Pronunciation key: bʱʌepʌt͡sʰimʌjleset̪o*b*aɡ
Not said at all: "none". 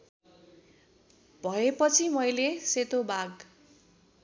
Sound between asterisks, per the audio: b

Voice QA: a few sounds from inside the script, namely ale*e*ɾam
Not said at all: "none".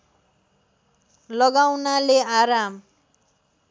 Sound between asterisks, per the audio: a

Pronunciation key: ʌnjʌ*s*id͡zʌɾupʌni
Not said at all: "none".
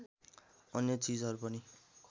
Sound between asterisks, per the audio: t͡s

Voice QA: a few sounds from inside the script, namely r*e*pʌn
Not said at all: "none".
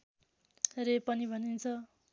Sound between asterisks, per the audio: e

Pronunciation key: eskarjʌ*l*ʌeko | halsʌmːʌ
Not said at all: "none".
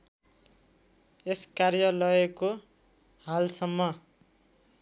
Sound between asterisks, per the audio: l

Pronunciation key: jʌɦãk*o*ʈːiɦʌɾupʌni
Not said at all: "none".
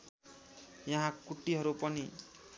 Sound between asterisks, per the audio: u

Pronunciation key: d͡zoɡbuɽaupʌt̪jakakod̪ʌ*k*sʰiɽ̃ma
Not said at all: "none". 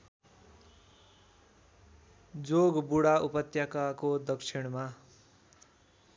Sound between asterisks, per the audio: k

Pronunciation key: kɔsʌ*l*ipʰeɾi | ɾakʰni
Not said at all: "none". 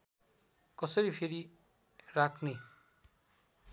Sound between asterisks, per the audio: ɾ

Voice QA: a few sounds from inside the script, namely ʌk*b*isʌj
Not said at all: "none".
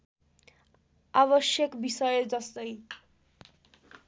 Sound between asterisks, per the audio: b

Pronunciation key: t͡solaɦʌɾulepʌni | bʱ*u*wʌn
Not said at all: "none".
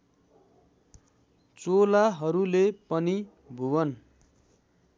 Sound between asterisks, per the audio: u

